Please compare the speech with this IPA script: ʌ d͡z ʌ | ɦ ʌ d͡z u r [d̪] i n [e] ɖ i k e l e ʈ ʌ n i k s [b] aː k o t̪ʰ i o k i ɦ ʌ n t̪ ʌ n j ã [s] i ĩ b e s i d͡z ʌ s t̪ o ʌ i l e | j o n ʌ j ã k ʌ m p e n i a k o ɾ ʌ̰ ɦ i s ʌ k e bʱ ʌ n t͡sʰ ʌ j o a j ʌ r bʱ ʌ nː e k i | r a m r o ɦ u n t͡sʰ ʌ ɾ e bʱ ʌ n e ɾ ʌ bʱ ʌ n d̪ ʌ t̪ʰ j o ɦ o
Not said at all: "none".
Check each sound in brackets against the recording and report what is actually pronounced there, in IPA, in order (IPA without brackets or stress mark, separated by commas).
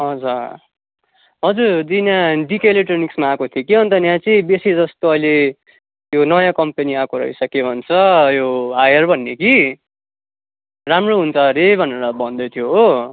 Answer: d̪, a, m, t͡s